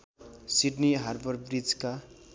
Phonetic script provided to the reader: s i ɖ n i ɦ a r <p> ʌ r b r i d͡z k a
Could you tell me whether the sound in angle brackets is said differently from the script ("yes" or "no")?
yes